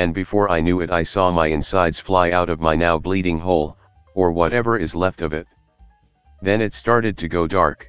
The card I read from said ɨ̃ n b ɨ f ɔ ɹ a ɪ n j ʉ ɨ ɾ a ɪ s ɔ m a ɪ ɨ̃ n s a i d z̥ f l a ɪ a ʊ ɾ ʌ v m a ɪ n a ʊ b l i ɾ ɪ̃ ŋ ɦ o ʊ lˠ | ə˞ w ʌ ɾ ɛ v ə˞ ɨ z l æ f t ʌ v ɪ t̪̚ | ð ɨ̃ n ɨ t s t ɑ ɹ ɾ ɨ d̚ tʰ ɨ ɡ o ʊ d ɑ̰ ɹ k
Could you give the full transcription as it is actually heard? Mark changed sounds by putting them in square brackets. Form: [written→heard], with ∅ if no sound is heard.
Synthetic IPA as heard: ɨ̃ n b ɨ f ɔ ɹ a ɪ n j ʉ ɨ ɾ a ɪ s ɔ m a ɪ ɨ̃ n s a [i→ɪ] d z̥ f l a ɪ a ʊ ɾ ʌ v m a ɪ n a ʊ b l i ɾ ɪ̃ ŋ ɦ o ʊ lˠ | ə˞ w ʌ ɾ ɛ v ə˞ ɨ z l [æ→ɛ] f t ʌ v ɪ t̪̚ | ð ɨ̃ n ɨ t s t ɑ ɹ ɾ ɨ d̚ tʰ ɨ ɡ o ʊ d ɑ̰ ɹ k